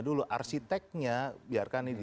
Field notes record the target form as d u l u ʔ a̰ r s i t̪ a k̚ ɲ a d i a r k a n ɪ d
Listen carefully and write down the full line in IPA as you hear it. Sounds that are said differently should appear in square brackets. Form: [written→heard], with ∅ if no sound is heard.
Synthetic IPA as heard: d u l u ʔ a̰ r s i t̪ [a→ɛ] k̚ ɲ a [d→b] i a r k a n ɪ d

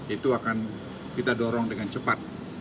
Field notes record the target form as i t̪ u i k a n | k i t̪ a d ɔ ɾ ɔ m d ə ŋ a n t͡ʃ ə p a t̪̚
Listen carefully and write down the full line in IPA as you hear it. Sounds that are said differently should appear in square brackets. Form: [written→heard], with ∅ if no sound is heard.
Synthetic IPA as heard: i t̪ u [i→a] k a n | k i t̪ a d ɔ ɾ ɔ [m→ŋ] d ə ŋ a n t͡ʃ ə p a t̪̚

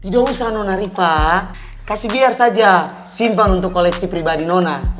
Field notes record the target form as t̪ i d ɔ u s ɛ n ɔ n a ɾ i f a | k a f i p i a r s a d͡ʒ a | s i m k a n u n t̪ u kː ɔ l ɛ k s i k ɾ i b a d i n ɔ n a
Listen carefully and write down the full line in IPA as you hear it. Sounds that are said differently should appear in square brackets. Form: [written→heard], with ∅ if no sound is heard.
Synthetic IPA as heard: t̪ i d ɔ u s [ɛ→a] n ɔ n a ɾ i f a | k a [f→s] i [p→b] i a r s a d͡ʒ a | s i m [k→p] a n u n t̪ u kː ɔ l ɛ k s i [k→p] ɾ i b a d i n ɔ n a

